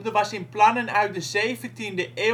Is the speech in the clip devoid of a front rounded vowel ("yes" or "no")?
no